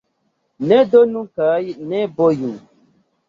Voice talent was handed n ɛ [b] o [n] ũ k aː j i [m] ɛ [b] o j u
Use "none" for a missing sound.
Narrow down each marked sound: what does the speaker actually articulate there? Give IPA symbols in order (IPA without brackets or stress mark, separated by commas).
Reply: d, n, n, b